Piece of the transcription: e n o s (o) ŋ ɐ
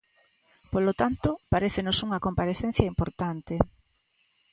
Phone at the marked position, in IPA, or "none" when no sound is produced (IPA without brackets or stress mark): u